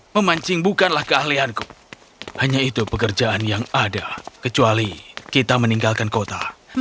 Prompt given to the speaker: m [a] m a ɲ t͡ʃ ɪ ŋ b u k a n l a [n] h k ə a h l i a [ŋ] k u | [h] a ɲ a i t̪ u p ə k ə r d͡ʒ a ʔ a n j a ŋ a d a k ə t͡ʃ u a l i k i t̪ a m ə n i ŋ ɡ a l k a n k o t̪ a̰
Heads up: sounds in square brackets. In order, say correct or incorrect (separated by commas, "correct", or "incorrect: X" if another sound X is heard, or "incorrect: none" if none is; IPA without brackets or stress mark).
incorrect: ə, incorrect: none, incorrect: n, correct